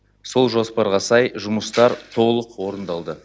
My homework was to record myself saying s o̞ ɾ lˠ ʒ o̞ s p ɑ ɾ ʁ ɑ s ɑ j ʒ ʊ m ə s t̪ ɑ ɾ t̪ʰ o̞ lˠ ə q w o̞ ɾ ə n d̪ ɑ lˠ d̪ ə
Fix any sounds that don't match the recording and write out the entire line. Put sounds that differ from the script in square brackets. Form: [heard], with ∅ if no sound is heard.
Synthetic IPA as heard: s o̞ [∅] lˠ ʒ o̞ s p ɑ ɾ ʁ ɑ s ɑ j ʒ ʊ m ə s t̪ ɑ ɾ t̪ʰ o̞ lˠ ə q w o̞ ɾ ə n d̪ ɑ lˠ d̪ ə